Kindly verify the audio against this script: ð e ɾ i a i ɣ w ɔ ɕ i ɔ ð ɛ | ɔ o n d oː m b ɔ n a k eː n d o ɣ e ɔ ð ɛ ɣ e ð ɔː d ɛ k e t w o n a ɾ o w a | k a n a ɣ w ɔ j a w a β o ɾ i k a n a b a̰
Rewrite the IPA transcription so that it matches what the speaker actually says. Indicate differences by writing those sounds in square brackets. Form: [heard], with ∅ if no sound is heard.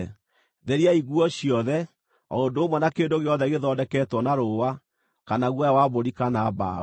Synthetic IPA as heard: ð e ɾ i a i ɣ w ɔ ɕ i ɔ ð ɛ | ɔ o n d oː m [w] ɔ n a k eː n d o ɣ e ɔ ð ɛ ɣ e ð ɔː d ɛ k [ɛ] t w [ɔ] n a ɾ o w a | k a n a ɣ w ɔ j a w a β o ɾ i k a n a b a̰